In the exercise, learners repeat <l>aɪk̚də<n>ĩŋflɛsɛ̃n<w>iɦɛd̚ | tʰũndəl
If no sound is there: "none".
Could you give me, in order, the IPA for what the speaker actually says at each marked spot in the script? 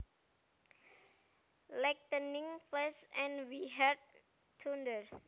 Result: l, n, w

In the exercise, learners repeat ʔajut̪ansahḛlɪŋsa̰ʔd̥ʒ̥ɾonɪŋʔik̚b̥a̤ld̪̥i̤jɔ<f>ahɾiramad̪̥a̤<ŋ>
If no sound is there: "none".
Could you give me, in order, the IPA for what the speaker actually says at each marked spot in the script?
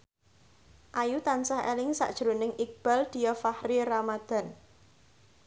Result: f, n

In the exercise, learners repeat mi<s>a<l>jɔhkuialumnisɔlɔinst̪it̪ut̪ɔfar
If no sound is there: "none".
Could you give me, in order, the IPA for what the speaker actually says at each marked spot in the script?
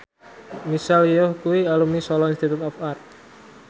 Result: s, l

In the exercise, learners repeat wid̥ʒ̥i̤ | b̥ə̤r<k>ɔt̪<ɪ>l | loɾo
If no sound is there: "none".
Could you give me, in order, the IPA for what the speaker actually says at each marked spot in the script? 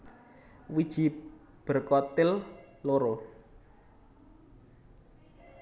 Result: k, ɪ

